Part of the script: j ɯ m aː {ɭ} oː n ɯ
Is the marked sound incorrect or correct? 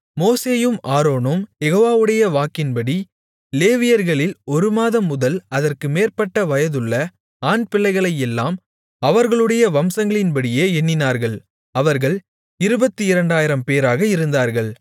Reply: incorrect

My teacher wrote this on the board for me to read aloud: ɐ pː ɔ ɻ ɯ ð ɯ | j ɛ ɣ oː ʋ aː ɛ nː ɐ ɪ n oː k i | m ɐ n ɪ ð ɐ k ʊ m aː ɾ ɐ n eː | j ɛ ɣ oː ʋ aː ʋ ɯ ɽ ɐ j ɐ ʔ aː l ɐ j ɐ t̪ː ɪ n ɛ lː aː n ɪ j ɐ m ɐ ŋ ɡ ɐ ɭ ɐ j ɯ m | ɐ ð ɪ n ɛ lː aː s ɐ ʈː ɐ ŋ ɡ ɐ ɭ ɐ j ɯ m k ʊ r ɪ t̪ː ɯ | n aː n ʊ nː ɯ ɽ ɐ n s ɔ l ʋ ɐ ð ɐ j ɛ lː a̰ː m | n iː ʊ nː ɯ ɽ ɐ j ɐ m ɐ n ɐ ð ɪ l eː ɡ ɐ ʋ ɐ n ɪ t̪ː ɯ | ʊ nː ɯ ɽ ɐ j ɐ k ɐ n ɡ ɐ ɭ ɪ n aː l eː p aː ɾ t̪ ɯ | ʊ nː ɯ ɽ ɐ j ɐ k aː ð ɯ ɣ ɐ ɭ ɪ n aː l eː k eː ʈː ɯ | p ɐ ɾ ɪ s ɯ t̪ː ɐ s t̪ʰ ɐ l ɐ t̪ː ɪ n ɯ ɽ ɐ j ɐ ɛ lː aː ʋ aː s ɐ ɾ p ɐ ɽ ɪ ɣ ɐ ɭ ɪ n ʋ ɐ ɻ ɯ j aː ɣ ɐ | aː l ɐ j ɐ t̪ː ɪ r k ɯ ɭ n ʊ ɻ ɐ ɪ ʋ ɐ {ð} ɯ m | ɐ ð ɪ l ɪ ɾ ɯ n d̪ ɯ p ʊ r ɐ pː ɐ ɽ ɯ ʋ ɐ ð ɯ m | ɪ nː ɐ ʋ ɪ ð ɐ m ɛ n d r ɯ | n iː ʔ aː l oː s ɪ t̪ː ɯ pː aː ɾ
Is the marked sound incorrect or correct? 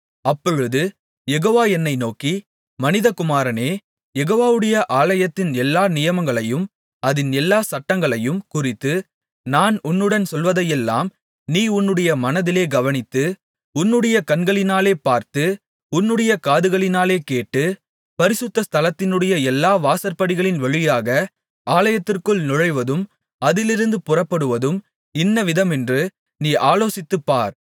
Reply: correct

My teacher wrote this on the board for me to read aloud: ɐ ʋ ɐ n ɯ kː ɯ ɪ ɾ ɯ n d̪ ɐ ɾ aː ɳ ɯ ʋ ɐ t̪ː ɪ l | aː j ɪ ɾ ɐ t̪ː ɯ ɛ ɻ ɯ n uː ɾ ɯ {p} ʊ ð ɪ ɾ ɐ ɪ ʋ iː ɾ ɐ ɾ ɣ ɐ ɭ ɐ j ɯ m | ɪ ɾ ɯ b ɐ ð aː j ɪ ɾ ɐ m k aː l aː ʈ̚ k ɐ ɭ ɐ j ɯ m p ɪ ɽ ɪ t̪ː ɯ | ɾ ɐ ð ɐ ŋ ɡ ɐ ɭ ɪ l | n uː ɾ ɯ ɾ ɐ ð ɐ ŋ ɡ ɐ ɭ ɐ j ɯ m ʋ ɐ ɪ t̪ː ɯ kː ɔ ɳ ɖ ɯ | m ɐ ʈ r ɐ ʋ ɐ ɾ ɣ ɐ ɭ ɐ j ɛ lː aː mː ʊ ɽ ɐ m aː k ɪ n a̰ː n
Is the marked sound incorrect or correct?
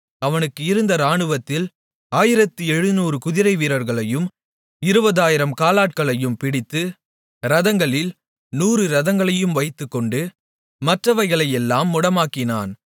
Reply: incorrect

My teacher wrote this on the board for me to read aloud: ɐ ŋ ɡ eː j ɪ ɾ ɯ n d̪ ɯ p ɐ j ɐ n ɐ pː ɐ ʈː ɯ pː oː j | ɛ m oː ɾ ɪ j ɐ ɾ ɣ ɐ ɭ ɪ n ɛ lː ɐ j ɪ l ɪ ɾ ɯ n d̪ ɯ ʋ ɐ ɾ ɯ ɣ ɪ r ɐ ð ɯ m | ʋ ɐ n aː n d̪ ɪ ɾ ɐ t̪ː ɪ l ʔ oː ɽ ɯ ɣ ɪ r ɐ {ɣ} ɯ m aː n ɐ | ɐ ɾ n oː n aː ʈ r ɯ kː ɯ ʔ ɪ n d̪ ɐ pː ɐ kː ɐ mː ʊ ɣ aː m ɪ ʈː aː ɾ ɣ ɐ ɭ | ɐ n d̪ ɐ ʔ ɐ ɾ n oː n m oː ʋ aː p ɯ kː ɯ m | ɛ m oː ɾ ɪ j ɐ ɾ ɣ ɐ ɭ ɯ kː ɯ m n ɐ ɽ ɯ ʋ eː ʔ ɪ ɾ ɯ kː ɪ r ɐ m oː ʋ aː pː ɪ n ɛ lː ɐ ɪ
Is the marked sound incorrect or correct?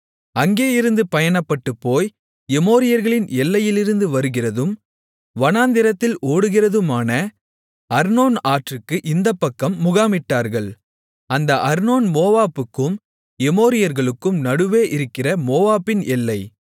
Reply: incorrect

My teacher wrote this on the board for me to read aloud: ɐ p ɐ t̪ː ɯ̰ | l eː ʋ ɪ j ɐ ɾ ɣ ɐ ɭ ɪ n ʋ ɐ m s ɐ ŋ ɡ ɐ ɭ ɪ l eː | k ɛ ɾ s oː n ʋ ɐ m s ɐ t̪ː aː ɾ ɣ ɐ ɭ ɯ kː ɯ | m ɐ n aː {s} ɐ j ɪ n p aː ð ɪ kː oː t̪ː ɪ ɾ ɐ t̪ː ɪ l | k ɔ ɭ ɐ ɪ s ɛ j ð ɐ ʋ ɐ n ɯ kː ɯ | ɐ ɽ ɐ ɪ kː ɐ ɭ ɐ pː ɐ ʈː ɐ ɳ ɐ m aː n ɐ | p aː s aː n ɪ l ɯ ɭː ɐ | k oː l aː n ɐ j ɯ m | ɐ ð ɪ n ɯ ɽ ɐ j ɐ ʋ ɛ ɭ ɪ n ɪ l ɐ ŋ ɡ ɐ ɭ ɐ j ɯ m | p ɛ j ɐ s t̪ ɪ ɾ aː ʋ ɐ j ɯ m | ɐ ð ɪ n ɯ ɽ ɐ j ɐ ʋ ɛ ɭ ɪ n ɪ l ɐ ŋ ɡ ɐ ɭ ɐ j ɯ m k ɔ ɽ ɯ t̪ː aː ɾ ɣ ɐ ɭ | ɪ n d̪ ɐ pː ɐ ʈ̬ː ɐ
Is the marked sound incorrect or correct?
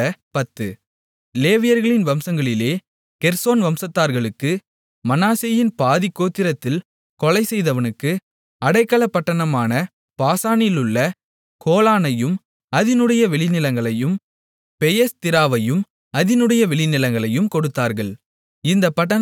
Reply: correct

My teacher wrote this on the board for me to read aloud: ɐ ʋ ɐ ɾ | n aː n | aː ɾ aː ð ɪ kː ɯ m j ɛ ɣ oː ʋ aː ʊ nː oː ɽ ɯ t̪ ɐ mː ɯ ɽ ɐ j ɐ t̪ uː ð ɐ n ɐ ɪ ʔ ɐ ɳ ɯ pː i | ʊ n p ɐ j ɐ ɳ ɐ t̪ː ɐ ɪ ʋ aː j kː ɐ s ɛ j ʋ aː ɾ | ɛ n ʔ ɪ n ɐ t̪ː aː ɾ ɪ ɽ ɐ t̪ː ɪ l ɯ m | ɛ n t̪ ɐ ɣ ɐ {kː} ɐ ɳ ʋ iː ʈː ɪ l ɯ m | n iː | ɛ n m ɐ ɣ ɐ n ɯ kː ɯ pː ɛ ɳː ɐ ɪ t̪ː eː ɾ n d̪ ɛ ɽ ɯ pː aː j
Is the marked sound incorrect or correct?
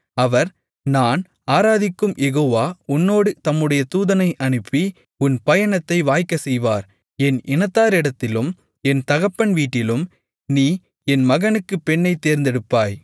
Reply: incorrect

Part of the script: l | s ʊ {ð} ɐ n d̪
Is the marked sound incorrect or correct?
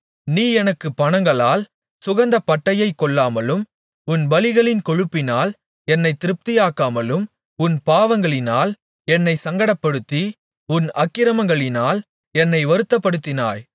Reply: incorrect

